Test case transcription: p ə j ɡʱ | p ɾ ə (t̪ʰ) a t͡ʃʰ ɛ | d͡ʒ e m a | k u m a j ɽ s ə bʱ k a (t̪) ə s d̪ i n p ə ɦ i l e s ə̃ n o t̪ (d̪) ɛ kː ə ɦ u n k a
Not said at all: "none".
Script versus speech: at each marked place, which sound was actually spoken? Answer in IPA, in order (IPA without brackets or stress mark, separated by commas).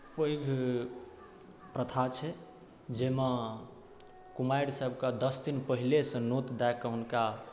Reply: t̪ʰ, d̪, d̪